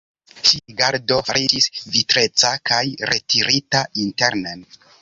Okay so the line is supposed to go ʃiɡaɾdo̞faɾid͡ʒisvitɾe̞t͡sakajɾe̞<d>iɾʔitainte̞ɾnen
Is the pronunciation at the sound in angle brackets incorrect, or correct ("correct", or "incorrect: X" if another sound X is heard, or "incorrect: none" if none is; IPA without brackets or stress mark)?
incorrect: t